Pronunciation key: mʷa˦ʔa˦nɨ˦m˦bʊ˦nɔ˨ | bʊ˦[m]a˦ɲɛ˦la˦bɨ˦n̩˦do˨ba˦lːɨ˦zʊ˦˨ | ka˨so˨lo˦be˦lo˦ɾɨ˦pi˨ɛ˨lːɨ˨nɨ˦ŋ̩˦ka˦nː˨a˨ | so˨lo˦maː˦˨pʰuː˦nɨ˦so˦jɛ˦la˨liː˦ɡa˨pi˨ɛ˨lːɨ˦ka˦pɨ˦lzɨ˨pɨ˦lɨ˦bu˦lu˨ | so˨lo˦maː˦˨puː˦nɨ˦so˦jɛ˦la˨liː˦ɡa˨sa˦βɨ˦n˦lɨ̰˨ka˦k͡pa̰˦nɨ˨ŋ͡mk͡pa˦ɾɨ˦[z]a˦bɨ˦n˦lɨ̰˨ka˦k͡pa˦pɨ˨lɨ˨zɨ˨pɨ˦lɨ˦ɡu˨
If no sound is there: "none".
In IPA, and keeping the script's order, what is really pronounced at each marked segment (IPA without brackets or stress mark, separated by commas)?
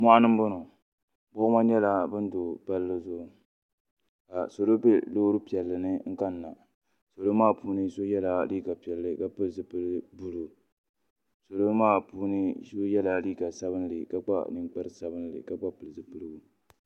m, s